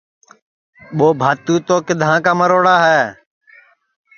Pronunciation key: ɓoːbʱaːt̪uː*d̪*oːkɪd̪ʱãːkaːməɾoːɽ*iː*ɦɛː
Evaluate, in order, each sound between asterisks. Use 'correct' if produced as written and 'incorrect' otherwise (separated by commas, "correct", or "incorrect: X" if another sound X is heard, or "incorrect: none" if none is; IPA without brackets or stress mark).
incorrect: t̪, incorrect: aː